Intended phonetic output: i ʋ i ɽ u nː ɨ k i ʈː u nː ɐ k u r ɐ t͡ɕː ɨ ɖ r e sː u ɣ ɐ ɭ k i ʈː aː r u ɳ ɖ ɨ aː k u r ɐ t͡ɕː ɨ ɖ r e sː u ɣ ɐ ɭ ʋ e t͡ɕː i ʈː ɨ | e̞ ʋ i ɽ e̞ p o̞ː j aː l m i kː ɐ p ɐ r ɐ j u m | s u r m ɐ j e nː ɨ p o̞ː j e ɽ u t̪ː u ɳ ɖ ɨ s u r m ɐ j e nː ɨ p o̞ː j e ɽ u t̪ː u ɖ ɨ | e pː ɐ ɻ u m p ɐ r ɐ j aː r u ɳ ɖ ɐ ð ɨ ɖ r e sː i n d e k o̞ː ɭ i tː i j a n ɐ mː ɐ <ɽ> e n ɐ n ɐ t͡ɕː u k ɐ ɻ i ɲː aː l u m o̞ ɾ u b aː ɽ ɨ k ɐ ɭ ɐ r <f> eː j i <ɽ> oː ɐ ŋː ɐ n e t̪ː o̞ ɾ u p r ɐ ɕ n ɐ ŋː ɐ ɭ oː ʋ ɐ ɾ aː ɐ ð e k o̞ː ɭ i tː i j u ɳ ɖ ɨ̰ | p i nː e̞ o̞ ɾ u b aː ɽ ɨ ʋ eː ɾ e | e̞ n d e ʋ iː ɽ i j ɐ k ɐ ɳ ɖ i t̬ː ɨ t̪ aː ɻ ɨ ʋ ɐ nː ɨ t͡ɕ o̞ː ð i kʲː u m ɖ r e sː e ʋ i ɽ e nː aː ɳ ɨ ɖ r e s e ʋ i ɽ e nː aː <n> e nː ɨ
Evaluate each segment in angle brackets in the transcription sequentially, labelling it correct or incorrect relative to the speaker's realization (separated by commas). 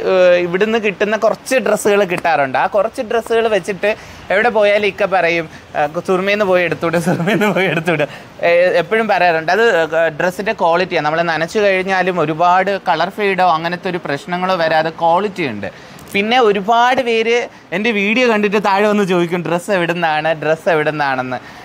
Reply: incorrect, correct, correct, incorrect